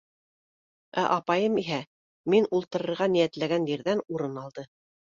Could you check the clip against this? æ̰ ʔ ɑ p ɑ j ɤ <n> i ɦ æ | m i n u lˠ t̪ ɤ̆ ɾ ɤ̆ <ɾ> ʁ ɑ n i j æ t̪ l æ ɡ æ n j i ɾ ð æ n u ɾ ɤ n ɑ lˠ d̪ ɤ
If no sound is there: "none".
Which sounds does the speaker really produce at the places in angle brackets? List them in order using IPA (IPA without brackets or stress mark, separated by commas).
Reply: m, ɾ